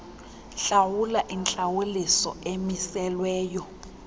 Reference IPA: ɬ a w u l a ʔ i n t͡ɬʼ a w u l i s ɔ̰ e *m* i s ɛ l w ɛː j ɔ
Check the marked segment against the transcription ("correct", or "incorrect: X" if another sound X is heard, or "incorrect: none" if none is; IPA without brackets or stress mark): correct